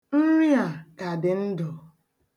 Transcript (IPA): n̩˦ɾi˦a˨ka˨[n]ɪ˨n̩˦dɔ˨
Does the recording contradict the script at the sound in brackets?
yes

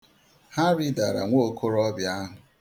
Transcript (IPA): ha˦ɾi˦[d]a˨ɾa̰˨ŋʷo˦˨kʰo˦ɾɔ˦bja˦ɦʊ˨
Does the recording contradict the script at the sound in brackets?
no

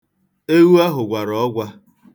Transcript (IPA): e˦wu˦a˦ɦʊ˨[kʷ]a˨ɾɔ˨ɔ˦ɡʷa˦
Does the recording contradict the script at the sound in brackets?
yes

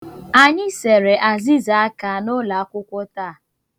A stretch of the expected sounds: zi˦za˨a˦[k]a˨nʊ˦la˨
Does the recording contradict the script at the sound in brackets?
no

